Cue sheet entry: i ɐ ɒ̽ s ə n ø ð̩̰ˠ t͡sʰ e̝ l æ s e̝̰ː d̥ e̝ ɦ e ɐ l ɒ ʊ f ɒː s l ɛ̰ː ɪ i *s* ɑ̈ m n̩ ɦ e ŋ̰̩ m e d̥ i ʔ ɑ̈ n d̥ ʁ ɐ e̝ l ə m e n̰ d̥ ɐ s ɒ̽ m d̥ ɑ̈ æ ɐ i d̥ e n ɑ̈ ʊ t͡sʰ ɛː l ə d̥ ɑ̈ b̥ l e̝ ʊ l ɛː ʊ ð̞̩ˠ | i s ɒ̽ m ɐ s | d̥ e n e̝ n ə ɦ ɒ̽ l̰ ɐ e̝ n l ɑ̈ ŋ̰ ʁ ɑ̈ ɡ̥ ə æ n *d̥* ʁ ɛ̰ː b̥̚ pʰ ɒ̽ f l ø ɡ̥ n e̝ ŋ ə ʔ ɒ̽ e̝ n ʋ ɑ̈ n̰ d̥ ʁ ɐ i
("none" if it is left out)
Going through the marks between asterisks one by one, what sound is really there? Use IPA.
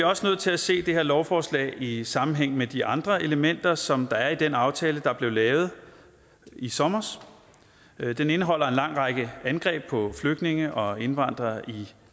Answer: s, ɡ̥

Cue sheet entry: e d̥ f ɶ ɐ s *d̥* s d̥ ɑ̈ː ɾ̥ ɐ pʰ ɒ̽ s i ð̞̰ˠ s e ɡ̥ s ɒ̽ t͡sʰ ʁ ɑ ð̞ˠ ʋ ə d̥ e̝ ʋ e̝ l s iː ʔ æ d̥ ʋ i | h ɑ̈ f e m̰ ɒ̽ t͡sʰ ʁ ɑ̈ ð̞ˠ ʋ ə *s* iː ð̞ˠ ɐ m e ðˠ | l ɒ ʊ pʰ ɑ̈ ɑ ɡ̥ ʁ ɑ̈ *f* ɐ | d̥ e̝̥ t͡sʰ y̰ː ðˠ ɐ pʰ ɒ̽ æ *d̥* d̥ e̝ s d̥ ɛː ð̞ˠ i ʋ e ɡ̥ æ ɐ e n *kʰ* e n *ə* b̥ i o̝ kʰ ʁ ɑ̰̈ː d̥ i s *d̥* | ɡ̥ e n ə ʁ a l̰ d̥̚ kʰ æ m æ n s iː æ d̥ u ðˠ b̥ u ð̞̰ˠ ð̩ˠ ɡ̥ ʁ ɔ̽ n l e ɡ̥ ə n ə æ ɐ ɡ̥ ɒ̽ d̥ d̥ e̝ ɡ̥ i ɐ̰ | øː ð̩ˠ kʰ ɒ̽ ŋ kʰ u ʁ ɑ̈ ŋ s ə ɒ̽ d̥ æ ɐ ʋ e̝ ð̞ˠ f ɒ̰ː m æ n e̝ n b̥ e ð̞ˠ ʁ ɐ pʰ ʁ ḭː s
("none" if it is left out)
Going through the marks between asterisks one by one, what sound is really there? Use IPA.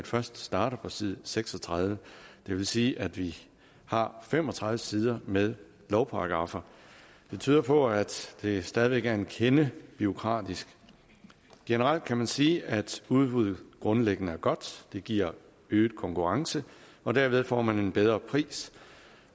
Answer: d̥, s, f, d̥, kʰ, ə, ɡ̥

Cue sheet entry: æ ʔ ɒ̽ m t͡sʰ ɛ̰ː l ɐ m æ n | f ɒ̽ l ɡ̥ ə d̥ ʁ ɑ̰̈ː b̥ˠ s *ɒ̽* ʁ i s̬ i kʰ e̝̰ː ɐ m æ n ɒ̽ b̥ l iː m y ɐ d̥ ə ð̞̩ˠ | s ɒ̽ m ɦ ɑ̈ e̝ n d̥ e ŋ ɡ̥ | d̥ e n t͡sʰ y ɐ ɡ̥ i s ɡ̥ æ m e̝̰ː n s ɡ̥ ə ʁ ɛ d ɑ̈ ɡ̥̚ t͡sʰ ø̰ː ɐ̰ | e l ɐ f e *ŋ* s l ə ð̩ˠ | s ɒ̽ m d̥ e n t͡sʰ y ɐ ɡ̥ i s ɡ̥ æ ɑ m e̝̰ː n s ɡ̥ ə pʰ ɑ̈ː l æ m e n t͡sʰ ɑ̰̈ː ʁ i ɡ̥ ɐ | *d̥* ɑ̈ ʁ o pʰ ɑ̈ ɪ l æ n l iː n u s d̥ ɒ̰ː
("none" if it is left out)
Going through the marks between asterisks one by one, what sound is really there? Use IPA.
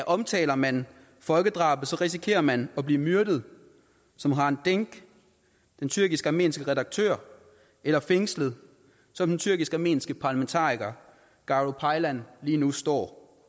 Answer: ɒ̽, ŋ, ɡ̥

